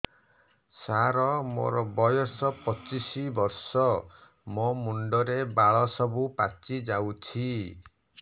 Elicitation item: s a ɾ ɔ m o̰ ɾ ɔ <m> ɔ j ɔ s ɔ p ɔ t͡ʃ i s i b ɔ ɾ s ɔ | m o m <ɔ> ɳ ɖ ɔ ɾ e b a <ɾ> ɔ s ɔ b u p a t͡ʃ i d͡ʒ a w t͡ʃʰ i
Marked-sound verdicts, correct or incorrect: incorrect: b, incorrect: u, incorrect: ɭ

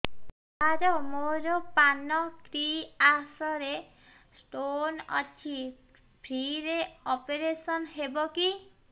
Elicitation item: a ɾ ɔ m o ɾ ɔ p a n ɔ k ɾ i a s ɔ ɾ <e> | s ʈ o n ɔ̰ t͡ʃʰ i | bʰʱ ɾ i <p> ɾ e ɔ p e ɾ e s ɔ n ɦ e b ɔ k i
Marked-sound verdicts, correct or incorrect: correct, incorrect: none

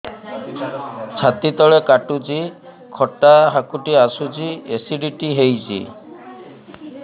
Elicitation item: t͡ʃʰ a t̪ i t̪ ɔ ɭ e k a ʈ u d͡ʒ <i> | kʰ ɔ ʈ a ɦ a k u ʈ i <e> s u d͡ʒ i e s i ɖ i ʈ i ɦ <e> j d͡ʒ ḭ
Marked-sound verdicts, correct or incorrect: correct, incorrect: a, correct

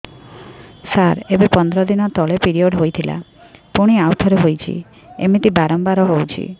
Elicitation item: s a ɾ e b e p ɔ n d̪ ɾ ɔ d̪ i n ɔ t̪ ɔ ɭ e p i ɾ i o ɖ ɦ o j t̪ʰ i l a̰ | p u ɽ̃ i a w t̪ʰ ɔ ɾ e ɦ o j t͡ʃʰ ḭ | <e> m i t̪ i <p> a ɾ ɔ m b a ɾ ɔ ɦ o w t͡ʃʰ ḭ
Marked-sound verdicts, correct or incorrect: correct, incorrect: b

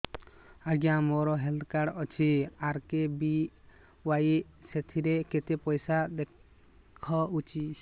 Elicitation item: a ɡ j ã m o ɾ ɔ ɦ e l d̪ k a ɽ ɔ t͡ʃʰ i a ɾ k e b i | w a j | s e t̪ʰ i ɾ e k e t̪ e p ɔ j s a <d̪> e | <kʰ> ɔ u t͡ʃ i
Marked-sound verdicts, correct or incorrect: correct, correct

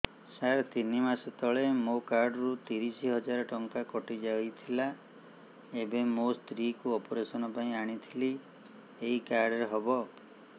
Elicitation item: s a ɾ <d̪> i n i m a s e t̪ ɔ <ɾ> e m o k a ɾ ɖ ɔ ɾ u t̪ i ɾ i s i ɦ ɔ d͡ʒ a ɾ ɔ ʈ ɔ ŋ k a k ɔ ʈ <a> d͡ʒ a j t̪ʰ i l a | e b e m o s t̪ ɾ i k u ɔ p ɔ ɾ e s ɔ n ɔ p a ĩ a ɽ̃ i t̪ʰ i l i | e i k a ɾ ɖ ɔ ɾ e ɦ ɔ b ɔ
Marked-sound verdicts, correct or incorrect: incorrect: t̪, incorrect: ɭ, incorrect: i

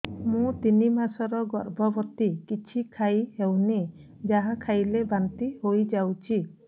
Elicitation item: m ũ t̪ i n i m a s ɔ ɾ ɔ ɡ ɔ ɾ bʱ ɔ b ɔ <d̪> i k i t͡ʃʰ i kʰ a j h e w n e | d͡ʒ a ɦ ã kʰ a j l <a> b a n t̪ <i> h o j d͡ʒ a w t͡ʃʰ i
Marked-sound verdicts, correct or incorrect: incorrect: t̪, incorrect: e, correct

